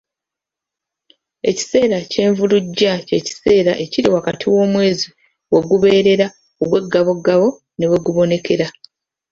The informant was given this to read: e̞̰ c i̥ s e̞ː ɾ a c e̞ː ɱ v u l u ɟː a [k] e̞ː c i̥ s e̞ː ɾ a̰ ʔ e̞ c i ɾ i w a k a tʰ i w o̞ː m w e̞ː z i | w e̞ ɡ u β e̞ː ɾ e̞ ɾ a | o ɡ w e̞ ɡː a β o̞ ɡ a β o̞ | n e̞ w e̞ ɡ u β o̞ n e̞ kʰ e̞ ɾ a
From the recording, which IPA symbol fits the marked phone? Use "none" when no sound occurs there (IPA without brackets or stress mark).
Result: c